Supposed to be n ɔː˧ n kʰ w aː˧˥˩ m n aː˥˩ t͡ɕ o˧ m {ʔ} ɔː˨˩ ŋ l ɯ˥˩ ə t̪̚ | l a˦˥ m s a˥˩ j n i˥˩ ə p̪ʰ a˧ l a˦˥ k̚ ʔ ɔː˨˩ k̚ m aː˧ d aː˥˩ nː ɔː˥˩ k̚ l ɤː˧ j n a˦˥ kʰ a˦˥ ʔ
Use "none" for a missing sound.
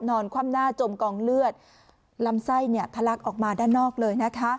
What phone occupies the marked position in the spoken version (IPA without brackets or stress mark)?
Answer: k